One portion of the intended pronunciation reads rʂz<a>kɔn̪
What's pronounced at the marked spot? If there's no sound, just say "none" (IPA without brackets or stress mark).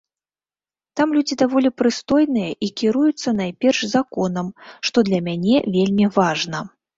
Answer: a